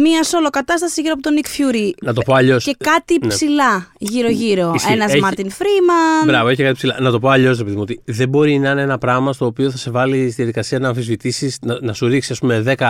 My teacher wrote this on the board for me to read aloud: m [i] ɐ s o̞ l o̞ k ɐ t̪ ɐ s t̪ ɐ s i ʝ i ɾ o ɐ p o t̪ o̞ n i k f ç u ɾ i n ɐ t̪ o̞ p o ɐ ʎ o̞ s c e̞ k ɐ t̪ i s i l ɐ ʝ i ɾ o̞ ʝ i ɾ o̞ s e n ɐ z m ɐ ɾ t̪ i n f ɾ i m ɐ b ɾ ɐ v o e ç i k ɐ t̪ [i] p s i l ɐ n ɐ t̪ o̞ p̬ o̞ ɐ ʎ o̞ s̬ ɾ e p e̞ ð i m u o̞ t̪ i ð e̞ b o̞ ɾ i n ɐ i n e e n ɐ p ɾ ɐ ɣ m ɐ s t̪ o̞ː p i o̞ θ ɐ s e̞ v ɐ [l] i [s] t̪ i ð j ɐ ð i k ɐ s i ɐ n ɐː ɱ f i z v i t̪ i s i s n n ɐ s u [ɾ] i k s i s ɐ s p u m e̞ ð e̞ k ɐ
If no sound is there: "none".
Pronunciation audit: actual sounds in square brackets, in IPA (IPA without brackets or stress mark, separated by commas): i, i, l, s, ɾ